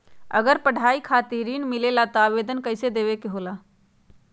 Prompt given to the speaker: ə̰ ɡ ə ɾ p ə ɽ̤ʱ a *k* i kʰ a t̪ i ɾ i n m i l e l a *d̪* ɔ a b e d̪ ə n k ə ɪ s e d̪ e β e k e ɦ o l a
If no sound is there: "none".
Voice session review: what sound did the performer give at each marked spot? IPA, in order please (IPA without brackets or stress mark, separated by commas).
none, t̪